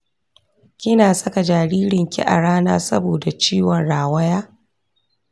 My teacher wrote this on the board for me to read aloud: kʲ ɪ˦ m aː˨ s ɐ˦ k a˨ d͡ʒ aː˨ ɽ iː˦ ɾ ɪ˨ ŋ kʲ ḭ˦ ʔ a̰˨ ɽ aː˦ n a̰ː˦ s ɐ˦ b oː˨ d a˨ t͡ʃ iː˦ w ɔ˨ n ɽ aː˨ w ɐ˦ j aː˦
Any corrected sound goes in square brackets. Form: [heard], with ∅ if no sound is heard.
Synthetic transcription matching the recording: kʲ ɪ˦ [n] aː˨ s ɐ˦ k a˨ d͡ʒ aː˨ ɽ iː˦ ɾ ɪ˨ ŋ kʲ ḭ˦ ʔ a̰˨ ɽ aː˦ n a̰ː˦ s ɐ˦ b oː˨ d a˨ t͡ʃ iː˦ w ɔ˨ n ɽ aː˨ w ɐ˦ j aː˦

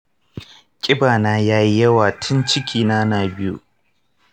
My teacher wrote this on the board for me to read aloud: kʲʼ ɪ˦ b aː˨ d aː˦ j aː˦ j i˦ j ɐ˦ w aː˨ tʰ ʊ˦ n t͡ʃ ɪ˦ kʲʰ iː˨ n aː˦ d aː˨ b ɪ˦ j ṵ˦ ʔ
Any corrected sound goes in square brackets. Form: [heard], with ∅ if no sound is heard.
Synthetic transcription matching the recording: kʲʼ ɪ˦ b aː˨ [n] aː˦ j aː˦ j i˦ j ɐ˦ w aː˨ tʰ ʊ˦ n t͡ʃ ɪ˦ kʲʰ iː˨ n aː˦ [n] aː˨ b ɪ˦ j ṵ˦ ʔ

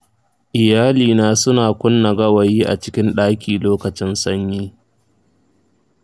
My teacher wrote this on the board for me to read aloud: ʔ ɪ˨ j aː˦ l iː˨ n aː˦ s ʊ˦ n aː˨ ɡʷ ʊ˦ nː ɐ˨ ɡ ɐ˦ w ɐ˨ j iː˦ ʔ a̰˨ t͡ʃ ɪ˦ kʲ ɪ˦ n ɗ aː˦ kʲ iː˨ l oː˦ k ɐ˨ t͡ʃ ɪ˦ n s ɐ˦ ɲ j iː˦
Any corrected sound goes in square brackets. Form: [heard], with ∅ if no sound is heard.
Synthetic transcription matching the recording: ʔ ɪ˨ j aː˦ l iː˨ n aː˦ s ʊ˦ n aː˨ [kʷ] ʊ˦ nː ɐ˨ ɡ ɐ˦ w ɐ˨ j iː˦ ʔ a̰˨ t͡ʃ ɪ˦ kʲ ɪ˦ n ɗ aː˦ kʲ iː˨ l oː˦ k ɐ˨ t͡ʃ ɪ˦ n s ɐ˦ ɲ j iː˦

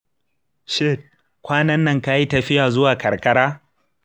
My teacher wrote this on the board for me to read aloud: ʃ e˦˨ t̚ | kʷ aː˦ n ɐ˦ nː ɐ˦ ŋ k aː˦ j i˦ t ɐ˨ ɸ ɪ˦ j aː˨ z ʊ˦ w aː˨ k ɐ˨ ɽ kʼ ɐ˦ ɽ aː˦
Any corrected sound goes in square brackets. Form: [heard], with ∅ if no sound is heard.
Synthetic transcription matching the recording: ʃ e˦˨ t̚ | kʷ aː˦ n ɐ˦ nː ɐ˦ ŋ k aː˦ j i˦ t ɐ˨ ɸ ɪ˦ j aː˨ z ʊ˦ w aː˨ k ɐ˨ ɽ [k] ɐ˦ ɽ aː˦

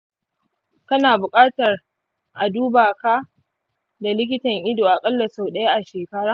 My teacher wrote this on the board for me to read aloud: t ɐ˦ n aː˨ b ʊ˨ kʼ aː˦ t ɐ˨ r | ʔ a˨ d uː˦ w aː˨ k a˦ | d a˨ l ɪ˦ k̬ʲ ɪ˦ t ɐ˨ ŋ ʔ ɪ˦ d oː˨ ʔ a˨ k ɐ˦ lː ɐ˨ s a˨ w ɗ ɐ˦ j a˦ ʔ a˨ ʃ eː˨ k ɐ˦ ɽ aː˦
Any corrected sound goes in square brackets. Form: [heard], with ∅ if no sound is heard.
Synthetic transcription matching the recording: [k] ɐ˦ n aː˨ b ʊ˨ kʼ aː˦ t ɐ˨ r | ʔ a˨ d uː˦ [b] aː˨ k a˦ | d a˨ l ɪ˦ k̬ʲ ɪ˦ t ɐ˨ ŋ ʔ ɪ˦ d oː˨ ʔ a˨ [kʼ] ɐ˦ lː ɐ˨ s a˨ w ɗ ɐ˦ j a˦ ʔ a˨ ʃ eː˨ k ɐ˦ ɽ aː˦

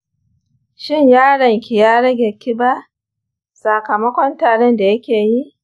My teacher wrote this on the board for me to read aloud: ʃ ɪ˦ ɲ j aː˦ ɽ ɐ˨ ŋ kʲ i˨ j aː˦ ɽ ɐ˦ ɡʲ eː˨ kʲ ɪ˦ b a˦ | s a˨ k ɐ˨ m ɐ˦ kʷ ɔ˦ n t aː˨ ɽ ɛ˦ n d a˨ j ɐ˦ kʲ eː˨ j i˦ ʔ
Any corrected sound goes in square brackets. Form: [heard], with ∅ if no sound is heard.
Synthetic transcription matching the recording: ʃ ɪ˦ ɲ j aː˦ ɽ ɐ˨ ŋ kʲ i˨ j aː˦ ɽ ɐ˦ ɡʲ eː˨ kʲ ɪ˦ b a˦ | s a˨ k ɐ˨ m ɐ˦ kʷ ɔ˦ n t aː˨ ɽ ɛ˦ n d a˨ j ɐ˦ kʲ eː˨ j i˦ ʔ

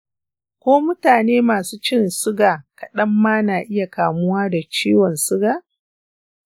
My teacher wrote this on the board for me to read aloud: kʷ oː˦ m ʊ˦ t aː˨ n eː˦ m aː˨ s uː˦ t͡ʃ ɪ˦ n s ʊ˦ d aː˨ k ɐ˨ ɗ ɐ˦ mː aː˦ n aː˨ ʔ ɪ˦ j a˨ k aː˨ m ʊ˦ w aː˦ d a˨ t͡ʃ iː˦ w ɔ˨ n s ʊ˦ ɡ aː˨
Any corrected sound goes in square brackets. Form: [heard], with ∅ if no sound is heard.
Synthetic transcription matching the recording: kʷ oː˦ m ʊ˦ t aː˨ n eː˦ m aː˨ s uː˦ t͡ʃ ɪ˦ n s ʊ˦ [ɡ] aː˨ k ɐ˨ ɗ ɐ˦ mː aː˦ n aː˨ ʔ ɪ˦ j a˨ k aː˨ m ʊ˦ w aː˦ d a˨ t͡ʃ iː˦ w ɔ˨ n s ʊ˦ ɡ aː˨

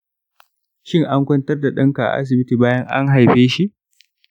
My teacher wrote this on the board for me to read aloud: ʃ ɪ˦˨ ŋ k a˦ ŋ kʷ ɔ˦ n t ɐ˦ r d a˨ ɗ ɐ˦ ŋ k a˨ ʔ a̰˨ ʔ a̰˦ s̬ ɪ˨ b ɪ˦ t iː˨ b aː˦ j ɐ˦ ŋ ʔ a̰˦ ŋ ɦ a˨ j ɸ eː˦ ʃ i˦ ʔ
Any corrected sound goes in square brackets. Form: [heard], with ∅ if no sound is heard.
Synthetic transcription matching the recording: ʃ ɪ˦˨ ŋ [ʔ] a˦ ŋ kʷ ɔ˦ n t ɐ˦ r d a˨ ɗ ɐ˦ ŋ k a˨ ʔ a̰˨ ʔ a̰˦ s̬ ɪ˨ b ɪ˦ t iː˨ b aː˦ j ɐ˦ ŋ ʔ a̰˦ ŋ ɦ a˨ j ɸ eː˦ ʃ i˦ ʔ

